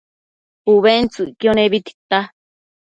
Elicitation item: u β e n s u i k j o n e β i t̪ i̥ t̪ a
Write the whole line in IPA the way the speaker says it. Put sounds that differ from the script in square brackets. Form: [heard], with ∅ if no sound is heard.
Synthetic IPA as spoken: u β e n [t͡s] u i k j o n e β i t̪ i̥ t̪ a